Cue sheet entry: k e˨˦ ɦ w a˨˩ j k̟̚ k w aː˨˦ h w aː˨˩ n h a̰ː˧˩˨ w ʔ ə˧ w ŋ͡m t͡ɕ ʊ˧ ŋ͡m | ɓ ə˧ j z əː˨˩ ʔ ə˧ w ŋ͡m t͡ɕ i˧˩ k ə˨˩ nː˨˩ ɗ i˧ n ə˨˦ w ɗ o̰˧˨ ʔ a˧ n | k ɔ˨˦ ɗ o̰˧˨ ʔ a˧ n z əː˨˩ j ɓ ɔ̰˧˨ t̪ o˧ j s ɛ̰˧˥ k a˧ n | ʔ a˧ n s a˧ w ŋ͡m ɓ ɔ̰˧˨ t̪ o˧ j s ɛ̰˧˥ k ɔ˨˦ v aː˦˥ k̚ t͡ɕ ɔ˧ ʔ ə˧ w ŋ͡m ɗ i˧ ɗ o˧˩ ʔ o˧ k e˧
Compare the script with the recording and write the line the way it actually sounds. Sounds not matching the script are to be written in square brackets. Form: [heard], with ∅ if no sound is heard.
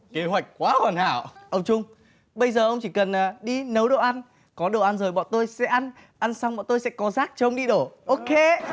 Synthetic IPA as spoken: k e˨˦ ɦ w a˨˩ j k̟̚ k w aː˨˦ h w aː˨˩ n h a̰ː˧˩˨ w ʔ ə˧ w ŋ͡m t͡ɕ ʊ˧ ŋ͡m | ɓ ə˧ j z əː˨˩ ʔ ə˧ w ŋ͡m t͡ɕ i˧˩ k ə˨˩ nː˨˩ ɗ i˧ n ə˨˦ w ɗ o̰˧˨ ʔ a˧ n | k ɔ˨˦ ɗ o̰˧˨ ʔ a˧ n z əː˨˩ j ɓ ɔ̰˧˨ t̪ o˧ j s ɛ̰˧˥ [ʔ] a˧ n | ʔ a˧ n s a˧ w ŋ͡m ɓ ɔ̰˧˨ t̪ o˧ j s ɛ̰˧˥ k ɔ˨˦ [z] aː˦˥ k̚ t͡ɕ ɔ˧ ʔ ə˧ w ŋ͡m ɗ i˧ ɗ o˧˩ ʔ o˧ k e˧